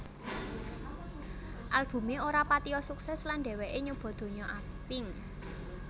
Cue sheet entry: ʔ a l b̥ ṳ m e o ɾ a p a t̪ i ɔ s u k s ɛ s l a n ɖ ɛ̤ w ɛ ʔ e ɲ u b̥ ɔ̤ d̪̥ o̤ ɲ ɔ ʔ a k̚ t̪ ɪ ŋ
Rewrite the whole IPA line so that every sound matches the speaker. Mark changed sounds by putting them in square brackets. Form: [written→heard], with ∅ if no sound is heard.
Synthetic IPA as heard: ʔ a l b̥ ṳ m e o ɾ a p a t̪ i ɔ s u k s ɛ s l a n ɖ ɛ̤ w ɛ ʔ e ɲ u b̥ ɔ̤ d̪̥ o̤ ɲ ɔ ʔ a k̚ t̪ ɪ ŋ